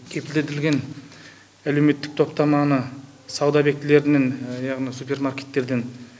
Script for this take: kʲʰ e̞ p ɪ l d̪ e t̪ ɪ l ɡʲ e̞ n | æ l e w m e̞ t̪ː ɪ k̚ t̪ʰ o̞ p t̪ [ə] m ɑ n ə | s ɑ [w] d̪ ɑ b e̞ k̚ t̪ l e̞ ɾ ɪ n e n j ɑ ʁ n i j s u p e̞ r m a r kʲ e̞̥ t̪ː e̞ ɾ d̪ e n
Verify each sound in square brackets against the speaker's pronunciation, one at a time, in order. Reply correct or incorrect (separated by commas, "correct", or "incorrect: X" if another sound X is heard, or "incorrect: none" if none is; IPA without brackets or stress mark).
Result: incorrect: ɑ, correct